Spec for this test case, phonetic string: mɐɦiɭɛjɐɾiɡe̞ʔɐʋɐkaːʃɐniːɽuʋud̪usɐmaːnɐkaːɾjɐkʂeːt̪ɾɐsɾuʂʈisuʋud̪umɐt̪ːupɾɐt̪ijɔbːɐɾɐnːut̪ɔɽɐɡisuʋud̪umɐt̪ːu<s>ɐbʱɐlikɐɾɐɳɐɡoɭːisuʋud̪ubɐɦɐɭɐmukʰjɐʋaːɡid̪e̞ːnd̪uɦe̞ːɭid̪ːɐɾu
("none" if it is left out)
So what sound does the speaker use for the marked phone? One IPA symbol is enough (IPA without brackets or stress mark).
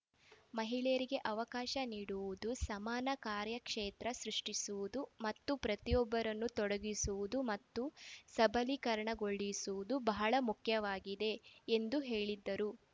s